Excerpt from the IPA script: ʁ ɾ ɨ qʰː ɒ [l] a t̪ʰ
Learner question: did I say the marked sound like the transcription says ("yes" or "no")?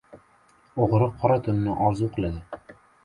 no